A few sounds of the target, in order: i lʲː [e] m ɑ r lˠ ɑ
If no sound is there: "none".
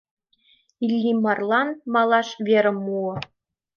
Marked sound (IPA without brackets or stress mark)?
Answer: i